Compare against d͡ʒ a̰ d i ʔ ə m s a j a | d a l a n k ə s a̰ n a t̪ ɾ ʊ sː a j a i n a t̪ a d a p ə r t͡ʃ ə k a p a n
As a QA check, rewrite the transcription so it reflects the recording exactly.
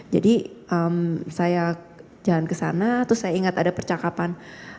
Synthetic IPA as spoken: d͡ʒ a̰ d i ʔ ə m s a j a | d͡ʒ a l a n k ə s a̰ n a t̪ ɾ ʊ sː a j a i ŋ a t̪ a d a p ə r t͡ʃ a k a p a n